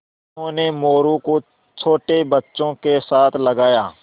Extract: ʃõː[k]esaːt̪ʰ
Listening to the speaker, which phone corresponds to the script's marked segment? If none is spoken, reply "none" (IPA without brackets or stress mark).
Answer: k